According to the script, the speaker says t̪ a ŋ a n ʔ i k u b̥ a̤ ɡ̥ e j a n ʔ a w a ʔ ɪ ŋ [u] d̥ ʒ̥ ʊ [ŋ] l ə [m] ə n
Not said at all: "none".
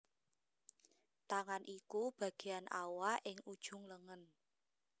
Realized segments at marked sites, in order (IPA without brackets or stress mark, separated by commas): u, ŋ, ŋ